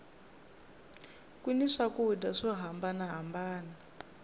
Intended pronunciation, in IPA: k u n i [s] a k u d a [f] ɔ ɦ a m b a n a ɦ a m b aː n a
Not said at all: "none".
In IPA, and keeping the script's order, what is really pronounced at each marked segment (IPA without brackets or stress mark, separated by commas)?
ʂ, ʂ